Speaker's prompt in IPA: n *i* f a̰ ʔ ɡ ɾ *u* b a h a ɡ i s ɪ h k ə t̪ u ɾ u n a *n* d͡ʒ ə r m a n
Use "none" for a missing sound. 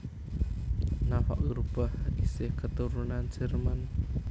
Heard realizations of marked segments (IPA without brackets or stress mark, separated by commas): a, u, n